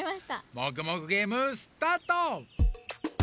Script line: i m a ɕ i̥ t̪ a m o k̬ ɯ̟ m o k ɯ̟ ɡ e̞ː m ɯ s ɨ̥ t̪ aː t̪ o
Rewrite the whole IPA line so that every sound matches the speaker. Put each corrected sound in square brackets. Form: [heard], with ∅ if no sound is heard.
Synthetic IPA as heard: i m a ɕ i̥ t̪ a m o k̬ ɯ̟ m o k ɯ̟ ɡ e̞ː m ɯ s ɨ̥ t̪ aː t̪ o